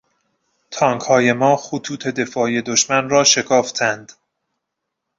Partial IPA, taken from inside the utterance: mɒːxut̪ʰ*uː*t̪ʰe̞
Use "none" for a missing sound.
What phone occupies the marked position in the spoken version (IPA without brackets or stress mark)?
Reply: uː